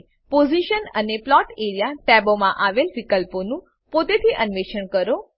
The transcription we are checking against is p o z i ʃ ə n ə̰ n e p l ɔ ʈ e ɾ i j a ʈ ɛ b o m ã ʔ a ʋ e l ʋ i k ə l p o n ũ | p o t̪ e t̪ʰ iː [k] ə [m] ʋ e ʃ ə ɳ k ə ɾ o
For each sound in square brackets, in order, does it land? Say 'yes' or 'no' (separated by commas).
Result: no, no